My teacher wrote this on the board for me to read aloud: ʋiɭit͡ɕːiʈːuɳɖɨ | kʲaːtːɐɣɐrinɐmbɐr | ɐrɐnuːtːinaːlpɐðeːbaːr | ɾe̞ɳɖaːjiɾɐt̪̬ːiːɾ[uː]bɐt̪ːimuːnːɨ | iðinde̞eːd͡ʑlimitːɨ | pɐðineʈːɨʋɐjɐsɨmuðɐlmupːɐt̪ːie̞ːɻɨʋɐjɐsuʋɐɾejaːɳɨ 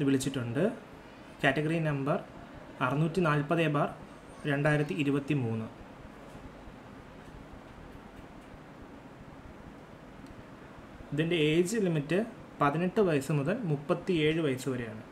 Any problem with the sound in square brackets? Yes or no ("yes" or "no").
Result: yes